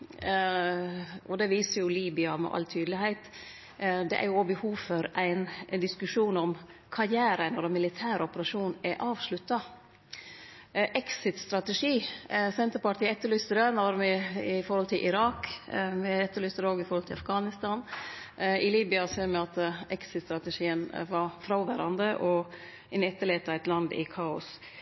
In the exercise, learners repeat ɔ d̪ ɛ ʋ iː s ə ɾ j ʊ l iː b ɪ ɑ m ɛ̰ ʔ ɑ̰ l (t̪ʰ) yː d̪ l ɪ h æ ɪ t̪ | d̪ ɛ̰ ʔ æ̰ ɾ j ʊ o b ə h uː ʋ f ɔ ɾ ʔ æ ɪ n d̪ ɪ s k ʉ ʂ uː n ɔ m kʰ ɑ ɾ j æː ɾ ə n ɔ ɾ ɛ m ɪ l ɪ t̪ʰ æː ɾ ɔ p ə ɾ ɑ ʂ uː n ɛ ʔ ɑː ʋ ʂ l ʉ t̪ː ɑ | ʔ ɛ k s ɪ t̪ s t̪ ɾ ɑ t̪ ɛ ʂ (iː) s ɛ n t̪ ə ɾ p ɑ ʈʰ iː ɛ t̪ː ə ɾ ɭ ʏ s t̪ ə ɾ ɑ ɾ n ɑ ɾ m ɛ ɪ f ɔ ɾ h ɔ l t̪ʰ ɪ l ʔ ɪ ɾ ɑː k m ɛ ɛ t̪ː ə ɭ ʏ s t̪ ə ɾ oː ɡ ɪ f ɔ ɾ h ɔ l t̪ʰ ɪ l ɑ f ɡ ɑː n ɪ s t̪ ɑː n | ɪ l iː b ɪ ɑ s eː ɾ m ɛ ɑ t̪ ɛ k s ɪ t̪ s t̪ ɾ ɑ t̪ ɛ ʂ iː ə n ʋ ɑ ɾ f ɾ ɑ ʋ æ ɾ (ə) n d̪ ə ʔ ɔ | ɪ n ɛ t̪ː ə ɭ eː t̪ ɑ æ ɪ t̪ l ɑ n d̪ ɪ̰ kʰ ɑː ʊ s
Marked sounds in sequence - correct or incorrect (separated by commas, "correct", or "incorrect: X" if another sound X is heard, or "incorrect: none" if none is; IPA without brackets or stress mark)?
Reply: correct, correct, incorrect: ɑ